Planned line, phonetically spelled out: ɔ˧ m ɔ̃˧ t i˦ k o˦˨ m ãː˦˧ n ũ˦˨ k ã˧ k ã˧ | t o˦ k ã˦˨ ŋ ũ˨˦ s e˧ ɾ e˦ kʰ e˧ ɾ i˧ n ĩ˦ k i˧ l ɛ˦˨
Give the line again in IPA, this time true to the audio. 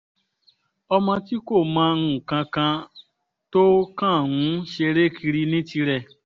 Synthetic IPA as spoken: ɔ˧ m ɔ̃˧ t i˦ k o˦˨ m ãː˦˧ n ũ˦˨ k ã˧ k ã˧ | t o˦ k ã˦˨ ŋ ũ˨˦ ʃ e˧ ɾ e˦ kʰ i˧ ɾ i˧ n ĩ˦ t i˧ ɾ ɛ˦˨

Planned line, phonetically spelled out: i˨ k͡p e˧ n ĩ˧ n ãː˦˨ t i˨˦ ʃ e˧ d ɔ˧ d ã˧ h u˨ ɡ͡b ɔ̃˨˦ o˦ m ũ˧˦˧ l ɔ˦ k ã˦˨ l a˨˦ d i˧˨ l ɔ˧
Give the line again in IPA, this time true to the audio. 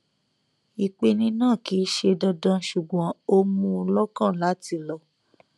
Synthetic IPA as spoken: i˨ k͡p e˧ n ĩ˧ n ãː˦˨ k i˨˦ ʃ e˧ d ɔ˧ d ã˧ ʃ u˨ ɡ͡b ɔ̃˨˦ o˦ m ũ˧˦˧ l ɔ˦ k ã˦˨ l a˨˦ t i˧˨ l ɔ˧

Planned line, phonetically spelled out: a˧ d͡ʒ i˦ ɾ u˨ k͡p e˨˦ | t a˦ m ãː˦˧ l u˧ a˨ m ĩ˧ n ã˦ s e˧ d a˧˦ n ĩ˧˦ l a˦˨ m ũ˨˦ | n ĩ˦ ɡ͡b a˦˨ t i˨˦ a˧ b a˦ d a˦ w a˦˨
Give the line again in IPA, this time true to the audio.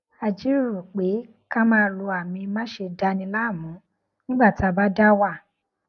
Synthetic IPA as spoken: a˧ d͡ʒ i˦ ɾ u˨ k͡p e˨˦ | k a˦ m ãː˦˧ l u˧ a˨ m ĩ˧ m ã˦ ʃ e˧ d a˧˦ n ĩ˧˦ l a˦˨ m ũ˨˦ | n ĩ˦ ɡ͡b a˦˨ t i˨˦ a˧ b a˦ d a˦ w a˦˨

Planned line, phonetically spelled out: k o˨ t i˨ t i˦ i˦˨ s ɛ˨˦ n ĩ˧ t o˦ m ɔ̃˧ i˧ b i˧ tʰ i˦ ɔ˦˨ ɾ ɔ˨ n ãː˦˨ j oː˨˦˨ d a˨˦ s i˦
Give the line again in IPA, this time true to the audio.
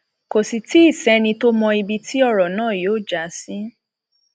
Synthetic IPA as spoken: k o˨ s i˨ t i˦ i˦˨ s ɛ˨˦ n ĩ˧ t o˦ m ɔ̃˧ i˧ b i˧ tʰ i˦ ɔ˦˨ ɾ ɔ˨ n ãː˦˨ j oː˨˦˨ d͡ʒ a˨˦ s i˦

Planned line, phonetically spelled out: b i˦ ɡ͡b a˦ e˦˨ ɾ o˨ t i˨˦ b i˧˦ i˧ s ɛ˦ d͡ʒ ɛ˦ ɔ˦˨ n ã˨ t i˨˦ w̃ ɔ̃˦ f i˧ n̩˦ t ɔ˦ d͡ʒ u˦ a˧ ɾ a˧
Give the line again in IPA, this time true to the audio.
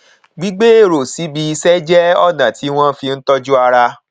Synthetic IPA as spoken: ɡ͡b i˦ ɡ͡b e˦ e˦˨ ɾ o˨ s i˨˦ b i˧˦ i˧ s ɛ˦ d͡ʒ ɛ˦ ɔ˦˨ n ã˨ t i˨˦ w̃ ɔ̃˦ f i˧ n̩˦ t ɔ˦ d͡ʒ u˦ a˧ ɾ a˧

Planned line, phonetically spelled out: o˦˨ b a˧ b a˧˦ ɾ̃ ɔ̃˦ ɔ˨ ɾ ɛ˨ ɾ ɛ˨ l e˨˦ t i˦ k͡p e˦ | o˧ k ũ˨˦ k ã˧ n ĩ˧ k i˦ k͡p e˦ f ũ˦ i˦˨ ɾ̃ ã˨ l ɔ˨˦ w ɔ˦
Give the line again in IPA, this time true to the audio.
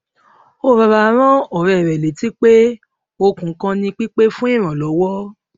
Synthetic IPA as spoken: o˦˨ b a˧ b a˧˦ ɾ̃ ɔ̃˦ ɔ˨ ɾ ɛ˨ ɾ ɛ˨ l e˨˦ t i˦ k͡p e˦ | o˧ k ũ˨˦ k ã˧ n ĩ˧ k͡p i˦ k͡p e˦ f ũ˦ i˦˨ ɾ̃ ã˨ l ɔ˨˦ w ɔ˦

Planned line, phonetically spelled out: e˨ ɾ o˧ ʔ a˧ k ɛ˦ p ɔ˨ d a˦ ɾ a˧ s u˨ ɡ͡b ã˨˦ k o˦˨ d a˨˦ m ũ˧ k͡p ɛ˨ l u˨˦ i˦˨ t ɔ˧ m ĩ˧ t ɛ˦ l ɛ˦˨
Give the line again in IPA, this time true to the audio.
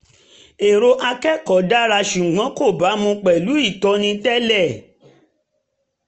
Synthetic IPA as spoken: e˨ ɾ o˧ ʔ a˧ k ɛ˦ k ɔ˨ d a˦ ɾ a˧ ʃ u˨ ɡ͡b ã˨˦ k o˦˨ b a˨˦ m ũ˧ k͡p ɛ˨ l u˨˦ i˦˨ t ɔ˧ n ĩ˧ t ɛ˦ l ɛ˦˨

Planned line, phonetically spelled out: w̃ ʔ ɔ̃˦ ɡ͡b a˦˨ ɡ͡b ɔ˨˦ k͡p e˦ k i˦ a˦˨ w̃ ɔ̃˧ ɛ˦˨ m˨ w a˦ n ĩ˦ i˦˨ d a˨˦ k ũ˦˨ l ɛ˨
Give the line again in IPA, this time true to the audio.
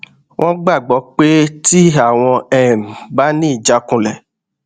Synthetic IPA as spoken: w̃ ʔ ɔ̃˦ ɡ͡b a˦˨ ɡ͡b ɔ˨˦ k͡p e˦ t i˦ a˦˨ w̃ ɔ̃˧ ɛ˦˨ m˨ b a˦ n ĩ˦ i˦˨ d͡ʒ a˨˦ k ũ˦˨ l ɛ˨

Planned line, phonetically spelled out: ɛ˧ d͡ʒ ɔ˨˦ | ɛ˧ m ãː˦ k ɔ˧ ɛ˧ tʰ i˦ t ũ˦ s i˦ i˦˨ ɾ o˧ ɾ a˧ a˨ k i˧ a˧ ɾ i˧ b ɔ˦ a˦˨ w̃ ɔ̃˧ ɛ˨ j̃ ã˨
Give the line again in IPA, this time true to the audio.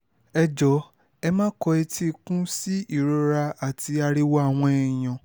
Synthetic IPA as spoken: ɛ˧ d͡ʒ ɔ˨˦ | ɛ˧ m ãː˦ k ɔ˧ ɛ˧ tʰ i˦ k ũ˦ s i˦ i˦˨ ɾ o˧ ɾ a˧ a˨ t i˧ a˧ ɾ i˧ w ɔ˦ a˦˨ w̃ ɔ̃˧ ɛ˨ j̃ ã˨

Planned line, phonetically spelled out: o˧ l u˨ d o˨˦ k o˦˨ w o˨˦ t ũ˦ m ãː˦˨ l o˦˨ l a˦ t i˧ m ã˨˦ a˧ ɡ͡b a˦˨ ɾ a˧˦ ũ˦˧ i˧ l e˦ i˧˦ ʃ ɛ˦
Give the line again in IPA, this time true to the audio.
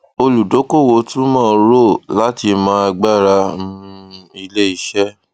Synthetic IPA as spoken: o˧ l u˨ d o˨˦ k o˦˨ w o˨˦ t ũ˦ m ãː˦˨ ɾ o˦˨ l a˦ t i˧ m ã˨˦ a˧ ɡ͡b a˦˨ ɾ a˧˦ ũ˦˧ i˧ l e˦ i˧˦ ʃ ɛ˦

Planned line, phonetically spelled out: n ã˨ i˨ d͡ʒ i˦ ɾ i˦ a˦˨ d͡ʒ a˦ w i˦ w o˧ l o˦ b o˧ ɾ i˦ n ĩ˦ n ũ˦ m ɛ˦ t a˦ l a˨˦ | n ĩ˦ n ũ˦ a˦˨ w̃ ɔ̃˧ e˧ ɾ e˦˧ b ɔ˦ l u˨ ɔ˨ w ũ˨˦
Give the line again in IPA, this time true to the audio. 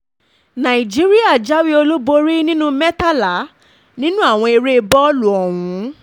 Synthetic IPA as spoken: n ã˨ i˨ d͡ʒ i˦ ɾ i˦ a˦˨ d͡ʒ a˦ w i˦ o˧ l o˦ b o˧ ɾ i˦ n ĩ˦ n ũ˦ m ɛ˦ t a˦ l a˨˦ | n ĩ˦ n ũ˦ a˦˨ w̃ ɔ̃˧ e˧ ɾ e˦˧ b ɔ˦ l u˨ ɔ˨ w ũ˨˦

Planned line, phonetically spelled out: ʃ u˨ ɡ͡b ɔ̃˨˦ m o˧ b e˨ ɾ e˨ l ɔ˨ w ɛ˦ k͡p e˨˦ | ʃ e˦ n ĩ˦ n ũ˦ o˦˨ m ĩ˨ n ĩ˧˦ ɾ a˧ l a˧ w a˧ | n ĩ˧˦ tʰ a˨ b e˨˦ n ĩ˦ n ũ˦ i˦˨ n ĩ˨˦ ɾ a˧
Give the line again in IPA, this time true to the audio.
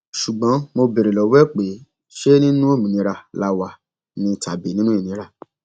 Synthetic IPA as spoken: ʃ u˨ ɡ͡b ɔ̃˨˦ m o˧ b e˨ ɾ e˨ l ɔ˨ w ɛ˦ k͡p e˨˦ | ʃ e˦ n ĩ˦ n ũ˦ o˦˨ m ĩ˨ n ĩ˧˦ ɾ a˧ l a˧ w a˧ | n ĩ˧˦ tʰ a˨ b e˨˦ n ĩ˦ n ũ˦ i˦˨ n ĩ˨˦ ɾ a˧

